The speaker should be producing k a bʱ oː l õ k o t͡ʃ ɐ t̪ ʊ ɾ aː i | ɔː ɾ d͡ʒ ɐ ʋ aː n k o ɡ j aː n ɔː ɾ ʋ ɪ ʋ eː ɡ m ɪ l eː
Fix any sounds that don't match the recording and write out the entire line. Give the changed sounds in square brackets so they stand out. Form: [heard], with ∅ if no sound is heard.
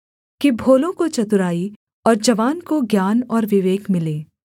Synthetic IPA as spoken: k [i] bʱ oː l õ k o t͡ʃ ɐ t̪ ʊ ɾ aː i | ɔː ɾ d͡ʒ ɐ ʋ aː n k o ɡ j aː n ɔː ɾ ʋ ɪ ʋ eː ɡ m ɪ l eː